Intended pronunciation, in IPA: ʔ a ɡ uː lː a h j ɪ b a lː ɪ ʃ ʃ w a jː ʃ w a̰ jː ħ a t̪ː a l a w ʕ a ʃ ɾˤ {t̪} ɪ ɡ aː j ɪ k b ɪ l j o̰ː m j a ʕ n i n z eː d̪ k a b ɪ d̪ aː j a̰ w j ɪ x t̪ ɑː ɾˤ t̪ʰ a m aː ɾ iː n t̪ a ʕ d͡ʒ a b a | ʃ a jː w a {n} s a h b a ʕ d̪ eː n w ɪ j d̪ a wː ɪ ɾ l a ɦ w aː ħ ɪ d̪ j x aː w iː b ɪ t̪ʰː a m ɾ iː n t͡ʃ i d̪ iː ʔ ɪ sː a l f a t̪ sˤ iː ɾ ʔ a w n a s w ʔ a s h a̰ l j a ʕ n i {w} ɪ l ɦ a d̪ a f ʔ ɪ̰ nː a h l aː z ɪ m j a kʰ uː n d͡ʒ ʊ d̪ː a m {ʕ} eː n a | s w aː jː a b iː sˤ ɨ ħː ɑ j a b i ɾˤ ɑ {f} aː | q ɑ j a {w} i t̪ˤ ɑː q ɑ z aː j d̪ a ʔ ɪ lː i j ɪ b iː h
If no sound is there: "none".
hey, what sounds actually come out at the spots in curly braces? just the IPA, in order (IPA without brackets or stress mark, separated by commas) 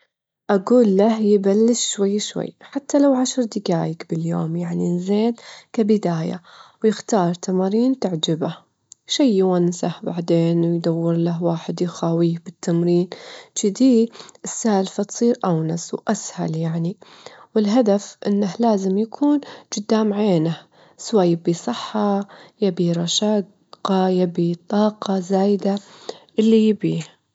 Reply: d̪, n, w, ʕ, ʃ, b